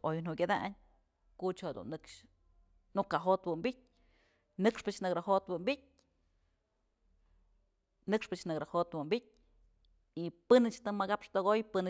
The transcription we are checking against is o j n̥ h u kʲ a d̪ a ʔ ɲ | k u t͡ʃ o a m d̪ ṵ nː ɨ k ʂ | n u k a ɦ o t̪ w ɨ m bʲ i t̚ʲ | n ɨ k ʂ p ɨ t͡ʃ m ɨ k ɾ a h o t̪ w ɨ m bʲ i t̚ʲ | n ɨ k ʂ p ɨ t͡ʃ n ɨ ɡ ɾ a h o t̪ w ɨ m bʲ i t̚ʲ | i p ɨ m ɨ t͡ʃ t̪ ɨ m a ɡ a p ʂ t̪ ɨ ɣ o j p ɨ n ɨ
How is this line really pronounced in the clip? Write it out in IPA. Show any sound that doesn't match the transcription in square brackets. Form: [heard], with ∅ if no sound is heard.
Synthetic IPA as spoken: o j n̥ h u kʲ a d̪ a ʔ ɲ | k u t͡ʃ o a [∅] d̪ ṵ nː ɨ k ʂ | n u k a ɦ o t̪ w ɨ m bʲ i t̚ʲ | n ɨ k ʂ p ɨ t͡ʃ [n] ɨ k ɾ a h o t̪ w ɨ m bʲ i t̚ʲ | n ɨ k ʂ p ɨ t͡ʃ n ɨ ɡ ɾ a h o t̪ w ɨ m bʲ i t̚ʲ | i p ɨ [n] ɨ t͡ʃ t̪ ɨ m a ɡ a p ʂ t̪ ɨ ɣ o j p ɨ n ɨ